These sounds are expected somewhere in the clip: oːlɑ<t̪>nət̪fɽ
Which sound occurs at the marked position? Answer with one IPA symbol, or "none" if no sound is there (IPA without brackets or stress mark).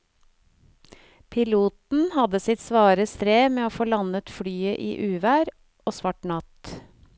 none